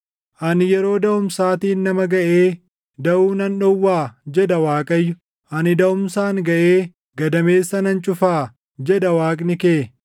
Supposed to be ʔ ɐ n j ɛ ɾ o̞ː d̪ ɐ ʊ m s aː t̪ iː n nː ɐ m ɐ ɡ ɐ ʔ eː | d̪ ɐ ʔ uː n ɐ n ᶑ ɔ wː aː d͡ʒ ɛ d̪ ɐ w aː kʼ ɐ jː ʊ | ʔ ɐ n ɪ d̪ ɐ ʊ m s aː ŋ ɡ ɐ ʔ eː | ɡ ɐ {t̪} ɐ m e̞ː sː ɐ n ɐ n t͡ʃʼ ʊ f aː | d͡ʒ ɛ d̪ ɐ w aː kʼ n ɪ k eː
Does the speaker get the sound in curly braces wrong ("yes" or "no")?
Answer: yes